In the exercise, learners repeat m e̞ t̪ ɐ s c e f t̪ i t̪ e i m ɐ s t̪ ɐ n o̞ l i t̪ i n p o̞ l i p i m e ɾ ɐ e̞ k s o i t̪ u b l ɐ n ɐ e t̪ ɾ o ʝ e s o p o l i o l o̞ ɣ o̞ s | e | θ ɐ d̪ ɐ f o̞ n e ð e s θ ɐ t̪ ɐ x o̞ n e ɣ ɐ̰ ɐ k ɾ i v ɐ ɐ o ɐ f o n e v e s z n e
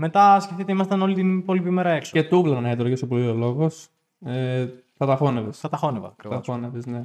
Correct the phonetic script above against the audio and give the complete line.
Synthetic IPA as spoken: m e̞ t̪ ɐ s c e f t̪ i t̪ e i m ɐ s t̪ ɐ n o̞ l i t̪ i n p o̞ l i p i m e ɾ ɐ e̞ k s o e t̪ u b l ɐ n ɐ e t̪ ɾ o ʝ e s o p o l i o l o̞ ɣ o̞ s | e | θ ɐ t̪ ɐ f o̞ n e v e s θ ɐ t̪ ɐ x o̞ n e v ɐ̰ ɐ k ɾ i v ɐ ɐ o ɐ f o n e v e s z n e